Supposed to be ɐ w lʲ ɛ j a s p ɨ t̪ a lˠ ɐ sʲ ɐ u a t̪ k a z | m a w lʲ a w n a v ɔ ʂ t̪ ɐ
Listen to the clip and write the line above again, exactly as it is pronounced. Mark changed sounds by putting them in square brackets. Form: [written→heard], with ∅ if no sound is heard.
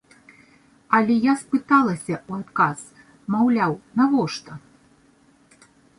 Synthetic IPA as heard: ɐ [w→∅] lʲ ɛ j a s p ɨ t̪ a lˠ ɐ sʲ ɐ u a t̪ k a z | m a w lʲ a w n a v ɔ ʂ t̪ ɐ